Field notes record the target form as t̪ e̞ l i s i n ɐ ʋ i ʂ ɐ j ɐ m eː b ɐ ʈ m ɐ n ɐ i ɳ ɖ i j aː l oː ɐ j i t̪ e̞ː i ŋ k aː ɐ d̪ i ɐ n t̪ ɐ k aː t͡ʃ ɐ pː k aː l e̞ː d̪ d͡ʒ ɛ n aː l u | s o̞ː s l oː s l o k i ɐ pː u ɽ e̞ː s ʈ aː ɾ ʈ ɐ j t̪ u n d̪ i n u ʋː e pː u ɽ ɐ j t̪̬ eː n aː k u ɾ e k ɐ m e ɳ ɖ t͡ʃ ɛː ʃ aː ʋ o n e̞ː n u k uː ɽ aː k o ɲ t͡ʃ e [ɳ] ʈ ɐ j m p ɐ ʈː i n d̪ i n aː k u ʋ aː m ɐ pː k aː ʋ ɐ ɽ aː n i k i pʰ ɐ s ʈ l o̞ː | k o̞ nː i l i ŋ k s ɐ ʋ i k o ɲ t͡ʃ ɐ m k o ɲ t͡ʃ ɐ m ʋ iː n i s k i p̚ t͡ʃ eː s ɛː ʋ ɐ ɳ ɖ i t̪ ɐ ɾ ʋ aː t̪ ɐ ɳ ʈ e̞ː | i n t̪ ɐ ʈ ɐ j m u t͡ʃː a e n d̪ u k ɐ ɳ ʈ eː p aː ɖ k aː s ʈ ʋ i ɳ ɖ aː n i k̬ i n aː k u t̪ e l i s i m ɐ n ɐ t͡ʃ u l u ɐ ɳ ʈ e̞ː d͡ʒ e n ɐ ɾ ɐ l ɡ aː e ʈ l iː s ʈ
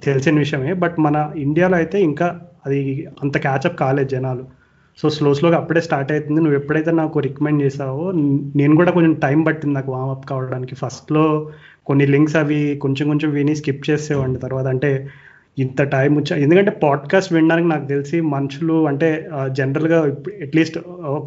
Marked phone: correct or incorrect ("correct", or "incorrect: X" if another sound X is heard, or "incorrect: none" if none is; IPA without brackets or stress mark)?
incorrect: m